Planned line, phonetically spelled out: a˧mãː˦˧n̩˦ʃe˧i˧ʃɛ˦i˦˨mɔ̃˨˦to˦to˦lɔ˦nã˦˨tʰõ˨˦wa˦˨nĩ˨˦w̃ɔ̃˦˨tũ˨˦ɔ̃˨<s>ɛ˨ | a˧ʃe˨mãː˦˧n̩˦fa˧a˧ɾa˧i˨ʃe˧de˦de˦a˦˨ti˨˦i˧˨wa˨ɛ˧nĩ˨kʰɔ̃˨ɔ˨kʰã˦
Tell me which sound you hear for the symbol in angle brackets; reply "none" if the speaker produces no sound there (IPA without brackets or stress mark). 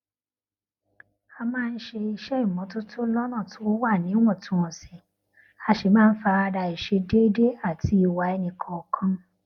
s